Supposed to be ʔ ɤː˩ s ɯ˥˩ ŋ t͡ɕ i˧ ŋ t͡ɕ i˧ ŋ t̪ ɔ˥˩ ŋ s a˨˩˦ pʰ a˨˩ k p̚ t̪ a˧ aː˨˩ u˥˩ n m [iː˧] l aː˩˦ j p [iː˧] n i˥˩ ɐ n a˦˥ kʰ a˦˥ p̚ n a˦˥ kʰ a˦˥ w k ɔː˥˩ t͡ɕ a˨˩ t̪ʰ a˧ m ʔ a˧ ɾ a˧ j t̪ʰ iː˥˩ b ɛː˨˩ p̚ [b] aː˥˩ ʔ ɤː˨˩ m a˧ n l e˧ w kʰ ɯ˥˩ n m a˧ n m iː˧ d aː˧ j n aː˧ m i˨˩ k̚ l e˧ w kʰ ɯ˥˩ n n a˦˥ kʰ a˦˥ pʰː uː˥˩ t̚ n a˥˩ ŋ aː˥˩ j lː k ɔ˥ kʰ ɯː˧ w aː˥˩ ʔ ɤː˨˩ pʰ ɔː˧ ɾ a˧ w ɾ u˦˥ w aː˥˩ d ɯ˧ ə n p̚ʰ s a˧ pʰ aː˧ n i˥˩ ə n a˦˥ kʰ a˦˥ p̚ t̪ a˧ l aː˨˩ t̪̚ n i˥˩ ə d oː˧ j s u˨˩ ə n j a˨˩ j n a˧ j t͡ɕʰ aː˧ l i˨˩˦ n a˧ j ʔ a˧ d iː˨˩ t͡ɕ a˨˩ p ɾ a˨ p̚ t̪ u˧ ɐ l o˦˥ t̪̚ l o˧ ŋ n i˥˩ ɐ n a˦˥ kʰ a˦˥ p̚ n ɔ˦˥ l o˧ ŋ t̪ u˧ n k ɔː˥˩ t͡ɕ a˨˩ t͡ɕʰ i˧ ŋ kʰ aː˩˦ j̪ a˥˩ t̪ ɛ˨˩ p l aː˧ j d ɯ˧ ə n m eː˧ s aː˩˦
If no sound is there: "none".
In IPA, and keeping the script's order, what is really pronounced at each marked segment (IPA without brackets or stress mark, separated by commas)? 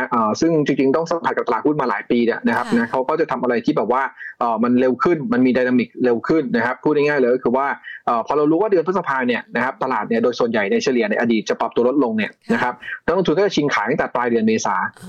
aː˧, iː˧, w